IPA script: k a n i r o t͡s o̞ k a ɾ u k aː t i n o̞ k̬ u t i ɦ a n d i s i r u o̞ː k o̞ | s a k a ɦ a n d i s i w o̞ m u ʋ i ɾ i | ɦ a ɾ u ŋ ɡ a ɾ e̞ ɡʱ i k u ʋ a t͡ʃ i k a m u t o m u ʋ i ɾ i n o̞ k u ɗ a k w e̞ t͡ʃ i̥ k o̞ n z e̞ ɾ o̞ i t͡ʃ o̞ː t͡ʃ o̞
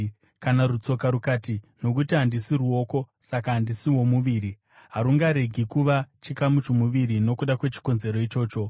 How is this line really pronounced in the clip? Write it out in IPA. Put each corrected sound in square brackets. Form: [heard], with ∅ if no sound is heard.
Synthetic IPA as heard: k a n [a] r [u] t͡s o̞ k a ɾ u k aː t i n o̞ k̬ u t i ɦ a n d i s i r u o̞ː k o̞ | s a k a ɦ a n d i s i w o̞ m u ʋ i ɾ i | ɦ a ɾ u ŋ ɡ a ɾ e̞ ɡʱ i k u ʋ a t͡ʃ i k a m u [t͡ʃ] o m u ʋ i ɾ i n o̞ k u ɗ a k w e̞ t͡ʃ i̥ k o̞ n z e̞ ɾ o̞ i t͡ʃ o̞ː t͡ʃ o̞